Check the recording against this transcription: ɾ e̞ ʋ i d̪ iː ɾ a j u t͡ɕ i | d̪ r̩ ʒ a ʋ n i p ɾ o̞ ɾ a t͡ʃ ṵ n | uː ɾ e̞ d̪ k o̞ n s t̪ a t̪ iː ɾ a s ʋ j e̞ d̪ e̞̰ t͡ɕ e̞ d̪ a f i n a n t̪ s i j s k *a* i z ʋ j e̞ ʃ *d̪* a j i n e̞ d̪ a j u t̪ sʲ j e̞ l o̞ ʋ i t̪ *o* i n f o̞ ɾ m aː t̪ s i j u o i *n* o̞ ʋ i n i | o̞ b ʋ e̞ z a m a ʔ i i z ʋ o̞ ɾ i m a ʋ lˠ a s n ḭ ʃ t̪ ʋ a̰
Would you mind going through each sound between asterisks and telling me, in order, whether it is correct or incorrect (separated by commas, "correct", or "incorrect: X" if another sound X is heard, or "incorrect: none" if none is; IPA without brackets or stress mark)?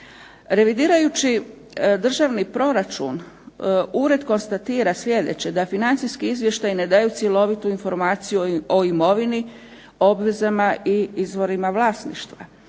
incorrect: i, incorrect: t̪, incorrect: u, incorrect: m